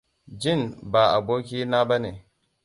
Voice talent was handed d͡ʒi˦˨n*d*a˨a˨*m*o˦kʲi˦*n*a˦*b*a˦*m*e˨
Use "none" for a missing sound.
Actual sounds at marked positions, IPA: b, b, n, b, n

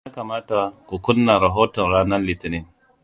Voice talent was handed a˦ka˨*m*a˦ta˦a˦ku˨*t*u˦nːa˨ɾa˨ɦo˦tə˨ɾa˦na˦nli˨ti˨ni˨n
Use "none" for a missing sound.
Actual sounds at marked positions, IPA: m, k

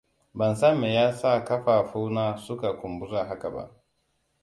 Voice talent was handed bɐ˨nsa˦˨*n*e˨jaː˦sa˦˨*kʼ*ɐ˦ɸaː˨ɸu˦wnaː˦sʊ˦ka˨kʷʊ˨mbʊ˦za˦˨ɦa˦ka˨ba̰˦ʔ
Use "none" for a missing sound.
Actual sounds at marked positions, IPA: m, k

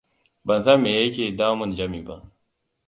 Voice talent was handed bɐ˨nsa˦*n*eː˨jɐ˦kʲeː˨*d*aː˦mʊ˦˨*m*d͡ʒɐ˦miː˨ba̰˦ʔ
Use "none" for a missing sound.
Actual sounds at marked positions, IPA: m, d, n

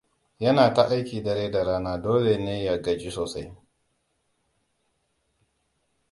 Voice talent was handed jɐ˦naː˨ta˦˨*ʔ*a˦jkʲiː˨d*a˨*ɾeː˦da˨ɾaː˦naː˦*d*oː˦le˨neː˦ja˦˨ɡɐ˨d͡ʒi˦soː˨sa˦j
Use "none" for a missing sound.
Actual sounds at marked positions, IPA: ʔ, ɐ˨, d

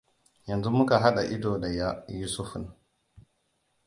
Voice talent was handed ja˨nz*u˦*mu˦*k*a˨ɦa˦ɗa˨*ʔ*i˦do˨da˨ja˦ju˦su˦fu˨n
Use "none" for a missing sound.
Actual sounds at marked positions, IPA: u˦, k, ʔ

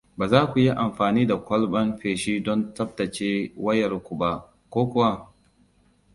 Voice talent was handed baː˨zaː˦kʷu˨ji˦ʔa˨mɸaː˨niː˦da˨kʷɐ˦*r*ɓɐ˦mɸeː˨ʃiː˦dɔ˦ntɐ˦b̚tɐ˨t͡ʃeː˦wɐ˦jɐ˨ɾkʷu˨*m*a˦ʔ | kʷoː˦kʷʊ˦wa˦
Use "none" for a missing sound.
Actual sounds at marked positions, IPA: l, b

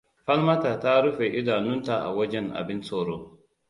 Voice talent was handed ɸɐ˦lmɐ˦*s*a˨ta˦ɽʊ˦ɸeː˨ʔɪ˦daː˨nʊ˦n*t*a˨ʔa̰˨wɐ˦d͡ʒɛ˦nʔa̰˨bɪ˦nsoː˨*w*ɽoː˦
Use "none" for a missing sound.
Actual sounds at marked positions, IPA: t, t, none

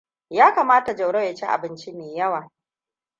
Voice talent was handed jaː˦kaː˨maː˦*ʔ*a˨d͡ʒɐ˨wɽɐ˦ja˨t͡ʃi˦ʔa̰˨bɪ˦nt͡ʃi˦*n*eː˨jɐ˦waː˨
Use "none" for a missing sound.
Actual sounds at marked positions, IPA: t, m

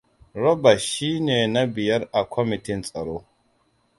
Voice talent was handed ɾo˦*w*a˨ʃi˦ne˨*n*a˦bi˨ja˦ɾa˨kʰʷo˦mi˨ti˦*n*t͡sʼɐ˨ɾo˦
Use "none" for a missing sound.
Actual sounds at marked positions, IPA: b, n, n

